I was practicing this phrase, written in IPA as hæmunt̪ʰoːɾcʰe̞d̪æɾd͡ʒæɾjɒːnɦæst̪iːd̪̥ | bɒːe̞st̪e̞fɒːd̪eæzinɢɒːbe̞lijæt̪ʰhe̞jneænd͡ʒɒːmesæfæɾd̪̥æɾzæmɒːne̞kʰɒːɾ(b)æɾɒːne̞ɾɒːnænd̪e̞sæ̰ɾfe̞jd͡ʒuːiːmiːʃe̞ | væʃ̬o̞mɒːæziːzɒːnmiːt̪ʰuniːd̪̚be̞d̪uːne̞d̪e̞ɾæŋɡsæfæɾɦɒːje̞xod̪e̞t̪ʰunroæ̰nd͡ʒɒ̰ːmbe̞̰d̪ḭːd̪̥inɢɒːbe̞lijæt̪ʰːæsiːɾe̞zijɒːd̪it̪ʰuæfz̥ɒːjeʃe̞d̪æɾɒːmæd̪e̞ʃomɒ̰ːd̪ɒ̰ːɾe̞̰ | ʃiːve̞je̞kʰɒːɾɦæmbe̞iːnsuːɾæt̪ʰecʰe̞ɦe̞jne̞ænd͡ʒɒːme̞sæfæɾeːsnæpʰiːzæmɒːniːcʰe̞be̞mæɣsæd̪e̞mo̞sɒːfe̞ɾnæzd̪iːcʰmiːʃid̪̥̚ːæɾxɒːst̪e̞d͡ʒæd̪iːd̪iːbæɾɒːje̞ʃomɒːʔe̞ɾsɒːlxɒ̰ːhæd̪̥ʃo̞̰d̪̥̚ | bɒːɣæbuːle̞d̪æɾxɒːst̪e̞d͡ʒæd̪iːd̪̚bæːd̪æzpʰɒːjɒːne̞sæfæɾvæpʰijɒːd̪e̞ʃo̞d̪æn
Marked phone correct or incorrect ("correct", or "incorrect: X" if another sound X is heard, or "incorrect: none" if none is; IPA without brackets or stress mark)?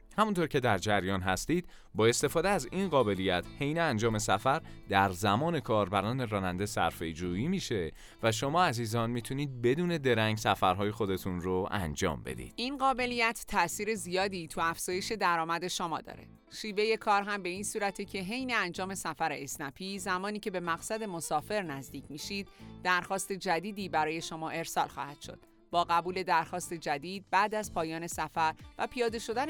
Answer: correct